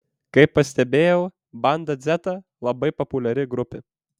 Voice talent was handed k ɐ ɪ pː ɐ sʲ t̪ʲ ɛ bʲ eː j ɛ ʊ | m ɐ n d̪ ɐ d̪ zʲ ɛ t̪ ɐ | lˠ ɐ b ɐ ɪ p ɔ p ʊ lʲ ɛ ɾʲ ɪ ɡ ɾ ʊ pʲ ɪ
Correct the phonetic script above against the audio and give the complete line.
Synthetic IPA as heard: k ɐ ɪ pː ɐ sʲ t̪ʲ ɛ bʲ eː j ɛ ʊ | b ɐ n d̪ ɐ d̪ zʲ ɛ t̪ ɐ | lˠ ɐ b ɐ ɪ p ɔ p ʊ lʲ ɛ ɾʲ ɪ ɡ ɾ ʊ pʲ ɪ